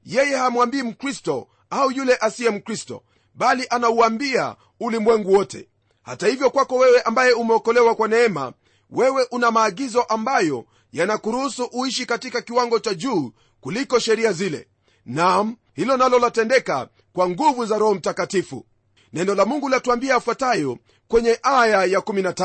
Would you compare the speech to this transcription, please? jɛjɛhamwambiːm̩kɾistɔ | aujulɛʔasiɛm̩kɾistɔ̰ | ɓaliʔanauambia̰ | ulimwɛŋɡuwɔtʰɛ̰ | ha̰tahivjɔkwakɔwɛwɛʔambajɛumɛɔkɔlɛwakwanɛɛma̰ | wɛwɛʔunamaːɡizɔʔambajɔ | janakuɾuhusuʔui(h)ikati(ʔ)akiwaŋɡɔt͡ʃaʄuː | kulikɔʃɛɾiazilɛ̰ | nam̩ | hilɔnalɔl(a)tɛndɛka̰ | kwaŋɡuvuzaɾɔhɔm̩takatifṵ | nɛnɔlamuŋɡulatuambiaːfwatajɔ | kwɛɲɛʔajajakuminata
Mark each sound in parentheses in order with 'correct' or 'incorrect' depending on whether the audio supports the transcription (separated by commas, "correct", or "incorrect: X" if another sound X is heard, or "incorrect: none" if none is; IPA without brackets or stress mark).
incorrect: ʃ, incorrect: k, correct